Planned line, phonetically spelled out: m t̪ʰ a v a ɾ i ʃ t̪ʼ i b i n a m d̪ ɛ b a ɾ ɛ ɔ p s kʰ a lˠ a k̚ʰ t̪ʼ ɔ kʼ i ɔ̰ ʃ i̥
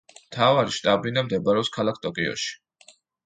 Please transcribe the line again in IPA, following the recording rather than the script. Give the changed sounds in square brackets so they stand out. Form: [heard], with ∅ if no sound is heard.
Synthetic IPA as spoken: m t̪ʰ a v a ɾ i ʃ t̪ʼ [a] b i n a m d̪ ɛ b a ɾ ɛ ɔ p s kʰ a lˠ a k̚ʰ t̪ʼ ɔ kʼ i ɔ̰ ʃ i̥